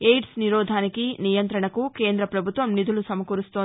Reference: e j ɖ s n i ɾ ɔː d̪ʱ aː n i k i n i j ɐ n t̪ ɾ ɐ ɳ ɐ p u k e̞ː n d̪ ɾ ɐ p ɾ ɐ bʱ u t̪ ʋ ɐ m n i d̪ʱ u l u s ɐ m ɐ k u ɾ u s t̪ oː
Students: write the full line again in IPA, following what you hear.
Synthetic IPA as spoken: e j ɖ s n i ɾ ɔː d̪ʱ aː n i k i n i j ɐ n t̪ ɾ ɐ ɳ ɐ k u k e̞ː n d̪ ɾ ɐ p ɾ ɐ bʱ u t̪ ʋ ɐ m n i d̪ʱ u l u s ɐ m ɐ k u ɾ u s t̪ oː